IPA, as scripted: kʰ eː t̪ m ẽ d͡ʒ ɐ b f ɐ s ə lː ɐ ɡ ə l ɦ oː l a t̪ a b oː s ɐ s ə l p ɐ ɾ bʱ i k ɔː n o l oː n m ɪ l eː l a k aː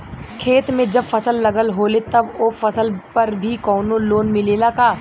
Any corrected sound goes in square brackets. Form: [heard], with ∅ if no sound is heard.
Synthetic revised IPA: kʰ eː t̪ m ẽ d͡ʒ ɐ b f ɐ s ə lː ɐ ɡ ə l ɦ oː l [e] t̪ [ɐ] b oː [f] ɐ s ə l p ɐ ɾ bʱ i k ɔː n o l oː n m ɪ l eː l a k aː